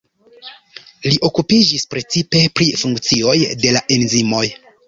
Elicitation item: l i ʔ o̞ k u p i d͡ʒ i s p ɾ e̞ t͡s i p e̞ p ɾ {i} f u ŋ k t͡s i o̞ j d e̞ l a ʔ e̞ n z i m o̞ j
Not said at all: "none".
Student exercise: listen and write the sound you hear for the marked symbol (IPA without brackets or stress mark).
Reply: i